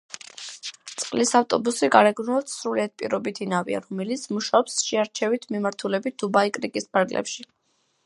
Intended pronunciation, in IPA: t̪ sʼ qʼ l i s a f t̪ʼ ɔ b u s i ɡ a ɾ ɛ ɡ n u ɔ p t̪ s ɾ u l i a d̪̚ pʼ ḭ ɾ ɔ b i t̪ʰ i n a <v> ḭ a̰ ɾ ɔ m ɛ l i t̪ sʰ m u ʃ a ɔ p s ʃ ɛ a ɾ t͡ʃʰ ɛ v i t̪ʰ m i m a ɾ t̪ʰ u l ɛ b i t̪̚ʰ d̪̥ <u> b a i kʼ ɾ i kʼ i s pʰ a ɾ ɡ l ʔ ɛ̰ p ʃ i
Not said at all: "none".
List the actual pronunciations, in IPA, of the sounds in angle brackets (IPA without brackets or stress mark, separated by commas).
v, u